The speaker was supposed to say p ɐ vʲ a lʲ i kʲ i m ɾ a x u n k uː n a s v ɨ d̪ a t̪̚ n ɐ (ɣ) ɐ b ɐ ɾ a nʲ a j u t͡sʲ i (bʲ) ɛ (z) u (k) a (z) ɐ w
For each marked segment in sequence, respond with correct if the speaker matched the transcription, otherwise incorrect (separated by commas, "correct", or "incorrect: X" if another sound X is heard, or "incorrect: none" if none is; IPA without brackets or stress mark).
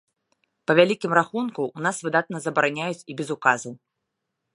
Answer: incorrect: z, correct, correct, correct, correct